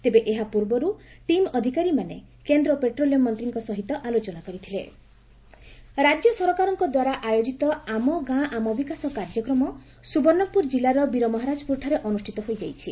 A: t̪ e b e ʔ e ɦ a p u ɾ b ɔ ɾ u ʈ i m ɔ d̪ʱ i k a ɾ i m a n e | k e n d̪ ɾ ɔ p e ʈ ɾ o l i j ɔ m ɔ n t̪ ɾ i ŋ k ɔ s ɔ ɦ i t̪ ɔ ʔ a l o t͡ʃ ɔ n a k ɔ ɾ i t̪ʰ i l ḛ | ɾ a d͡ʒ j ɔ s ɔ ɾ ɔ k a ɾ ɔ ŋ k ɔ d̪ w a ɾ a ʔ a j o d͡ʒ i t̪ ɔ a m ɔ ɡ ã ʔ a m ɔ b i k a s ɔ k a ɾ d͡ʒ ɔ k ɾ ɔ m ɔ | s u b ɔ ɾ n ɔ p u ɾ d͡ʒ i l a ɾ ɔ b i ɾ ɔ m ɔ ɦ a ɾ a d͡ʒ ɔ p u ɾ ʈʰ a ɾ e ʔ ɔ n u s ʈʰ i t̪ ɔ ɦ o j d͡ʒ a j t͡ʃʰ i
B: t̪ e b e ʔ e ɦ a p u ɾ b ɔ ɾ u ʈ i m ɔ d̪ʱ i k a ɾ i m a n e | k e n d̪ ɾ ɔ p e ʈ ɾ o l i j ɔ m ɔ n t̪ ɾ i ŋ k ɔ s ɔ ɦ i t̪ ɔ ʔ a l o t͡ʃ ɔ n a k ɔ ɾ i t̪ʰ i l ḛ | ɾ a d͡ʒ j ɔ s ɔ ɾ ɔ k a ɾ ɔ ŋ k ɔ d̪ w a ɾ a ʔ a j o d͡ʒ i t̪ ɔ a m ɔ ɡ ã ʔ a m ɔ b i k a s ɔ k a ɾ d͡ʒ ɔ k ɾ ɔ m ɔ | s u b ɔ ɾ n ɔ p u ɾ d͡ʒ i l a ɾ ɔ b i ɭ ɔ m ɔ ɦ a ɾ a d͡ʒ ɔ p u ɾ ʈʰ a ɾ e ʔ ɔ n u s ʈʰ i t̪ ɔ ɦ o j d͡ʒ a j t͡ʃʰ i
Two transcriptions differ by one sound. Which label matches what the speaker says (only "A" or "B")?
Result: A